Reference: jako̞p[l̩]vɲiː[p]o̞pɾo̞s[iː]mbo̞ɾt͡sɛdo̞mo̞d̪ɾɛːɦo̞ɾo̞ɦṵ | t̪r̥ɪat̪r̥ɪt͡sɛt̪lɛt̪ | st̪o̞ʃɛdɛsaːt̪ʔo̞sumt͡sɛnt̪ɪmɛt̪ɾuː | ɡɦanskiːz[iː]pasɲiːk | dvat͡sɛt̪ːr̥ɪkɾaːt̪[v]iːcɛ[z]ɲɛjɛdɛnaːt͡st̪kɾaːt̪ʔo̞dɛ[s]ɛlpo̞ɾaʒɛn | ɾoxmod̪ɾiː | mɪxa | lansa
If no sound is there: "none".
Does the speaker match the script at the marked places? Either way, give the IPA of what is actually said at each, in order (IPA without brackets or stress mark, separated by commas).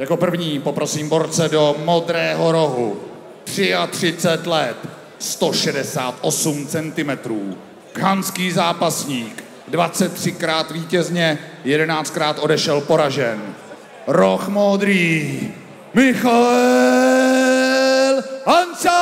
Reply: r̩, p, iː, aː, v, z, ʃ